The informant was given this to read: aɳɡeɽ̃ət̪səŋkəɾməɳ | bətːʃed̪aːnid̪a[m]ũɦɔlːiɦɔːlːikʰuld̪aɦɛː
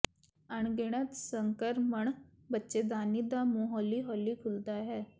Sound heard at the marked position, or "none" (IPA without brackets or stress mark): m